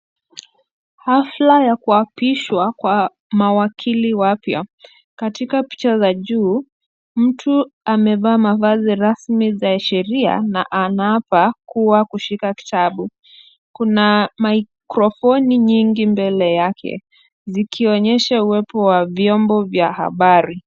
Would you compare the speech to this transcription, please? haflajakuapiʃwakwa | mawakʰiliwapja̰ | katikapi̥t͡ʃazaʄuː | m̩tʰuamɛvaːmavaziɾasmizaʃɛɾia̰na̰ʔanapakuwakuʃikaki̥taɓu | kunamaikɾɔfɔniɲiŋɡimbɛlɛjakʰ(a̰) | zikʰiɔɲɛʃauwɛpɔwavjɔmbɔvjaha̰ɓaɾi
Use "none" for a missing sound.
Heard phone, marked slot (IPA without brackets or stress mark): ɛ̰